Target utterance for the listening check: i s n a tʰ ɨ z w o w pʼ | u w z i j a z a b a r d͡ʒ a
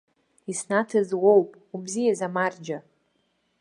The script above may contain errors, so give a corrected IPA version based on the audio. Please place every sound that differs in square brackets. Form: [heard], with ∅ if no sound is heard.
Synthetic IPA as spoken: i s n a tʰ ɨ z w o w pʼ | u [b] z i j a z a [m] a r d͡ʒ a